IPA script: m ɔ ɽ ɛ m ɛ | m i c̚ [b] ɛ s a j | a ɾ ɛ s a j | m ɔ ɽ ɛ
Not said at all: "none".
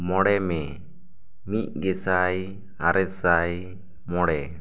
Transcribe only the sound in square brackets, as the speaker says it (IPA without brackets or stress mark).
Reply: ɡ